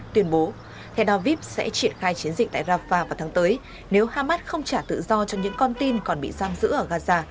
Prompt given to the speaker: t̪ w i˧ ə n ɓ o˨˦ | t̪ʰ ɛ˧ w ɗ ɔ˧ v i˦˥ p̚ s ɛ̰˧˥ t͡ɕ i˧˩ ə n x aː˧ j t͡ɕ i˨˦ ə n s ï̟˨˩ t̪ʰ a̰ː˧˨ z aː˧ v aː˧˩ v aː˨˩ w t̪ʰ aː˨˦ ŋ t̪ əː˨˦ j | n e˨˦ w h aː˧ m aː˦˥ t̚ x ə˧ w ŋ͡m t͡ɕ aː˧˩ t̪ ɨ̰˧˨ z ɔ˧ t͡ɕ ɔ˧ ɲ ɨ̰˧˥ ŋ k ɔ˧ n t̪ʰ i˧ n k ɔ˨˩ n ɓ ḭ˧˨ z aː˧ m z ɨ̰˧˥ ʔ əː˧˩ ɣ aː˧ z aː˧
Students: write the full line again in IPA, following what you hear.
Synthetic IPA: t̪ w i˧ ə n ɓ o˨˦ | t̪ʰ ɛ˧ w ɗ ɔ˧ v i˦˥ p̚ s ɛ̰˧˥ t͡ɕ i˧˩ ə n x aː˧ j t͡ɕ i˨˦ ə n z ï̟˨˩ t̪ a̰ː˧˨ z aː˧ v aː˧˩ v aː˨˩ w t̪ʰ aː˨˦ ŋ t̪ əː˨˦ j | n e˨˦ w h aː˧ m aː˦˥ t̚ x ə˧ w ŋ͡m t͡ɕ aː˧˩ t̪ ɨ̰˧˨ z ɔ˧ t͡ɕ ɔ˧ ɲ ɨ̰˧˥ ŋ k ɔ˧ n t̪ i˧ n k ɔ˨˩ n ɓ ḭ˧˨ z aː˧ m z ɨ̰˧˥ ʔ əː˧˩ ɣ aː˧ z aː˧